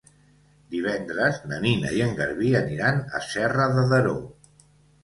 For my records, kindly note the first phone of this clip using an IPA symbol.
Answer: d̪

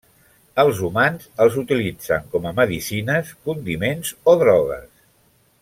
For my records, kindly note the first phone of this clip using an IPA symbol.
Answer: ə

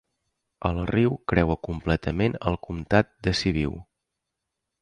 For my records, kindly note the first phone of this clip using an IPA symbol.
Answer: ə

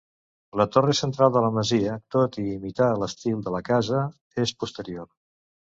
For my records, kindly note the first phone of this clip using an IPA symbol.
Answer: l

